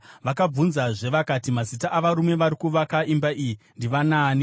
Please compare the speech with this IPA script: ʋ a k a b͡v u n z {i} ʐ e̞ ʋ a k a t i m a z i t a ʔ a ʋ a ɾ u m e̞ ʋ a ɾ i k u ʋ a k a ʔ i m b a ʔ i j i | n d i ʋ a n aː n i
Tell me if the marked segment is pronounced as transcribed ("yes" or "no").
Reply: no